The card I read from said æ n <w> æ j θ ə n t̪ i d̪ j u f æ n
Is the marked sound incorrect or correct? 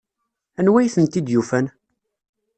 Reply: correct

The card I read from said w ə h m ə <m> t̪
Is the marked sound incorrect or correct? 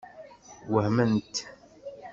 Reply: incorrect: n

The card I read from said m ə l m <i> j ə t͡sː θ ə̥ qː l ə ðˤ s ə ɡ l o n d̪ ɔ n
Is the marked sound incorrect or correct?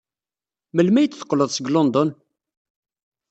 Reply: incorrect: æ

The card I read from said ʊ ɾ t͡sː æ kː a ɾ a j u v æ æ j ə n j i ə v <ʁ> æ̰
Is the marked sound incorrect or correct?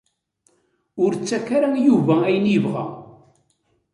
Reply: correct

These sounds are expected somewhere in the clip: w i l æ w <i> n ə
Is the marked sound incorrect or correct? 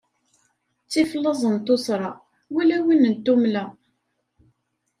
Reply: correct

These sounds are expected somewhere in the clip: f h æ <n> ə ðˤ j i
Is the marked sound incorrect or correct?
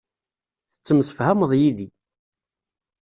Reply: incorrect: m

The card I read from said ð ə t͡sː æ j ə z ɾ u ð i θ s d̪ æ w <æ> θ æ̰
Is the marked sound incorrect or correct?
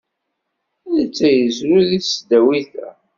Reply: incorrect: i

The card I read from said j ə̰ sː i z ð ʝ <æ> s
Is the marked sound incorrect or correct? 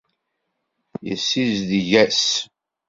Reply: correct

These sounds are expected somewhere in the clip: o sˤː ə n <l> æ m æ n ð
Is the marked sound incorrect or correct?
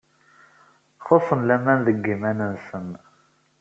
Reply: correct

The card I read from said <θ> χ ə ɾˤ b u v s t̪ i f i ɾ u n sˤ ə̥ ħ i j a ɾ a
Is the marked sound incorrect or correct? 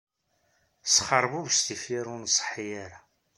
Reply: incorrect: s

